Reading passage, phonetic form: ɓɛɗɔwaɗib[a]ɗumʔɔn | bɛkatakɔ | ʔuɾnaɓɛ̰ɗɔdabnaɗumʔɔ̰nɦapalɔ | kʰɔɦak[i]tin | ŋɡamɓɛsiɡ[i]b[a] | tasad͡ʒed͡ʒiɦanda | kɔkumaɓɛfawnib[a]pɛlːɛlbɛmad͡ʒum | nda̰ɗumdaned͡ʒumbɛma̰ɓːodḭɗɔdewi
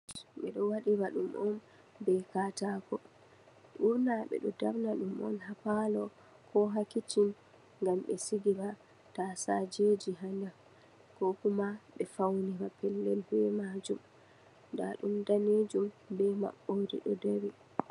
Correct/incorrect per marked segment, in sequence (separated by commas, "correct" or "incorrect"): correct, correct, correct, correct, correct